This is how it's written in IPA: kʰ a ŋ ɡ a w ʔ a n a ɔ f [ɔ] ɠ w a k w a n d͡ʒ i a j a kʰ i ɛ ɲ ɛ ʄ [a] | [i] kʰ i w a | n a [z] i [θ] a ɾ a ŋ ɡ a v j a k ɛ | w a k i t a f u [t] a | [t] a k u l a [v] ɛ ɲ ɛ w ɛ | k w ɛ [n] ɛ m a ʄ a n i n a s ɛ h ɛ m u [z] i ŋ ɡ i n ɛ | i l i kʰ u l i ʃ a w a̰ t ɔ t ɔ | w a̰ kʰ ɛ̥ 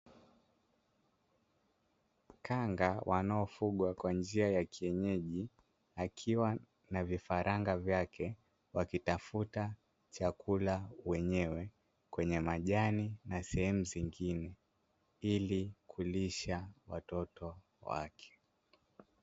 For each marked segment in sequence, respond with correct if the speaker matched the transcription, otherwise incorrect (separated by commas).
incorrect, incorrect, incorrect, incorrect, incorrect, correct, incorrect, incorrect, incorrect, correct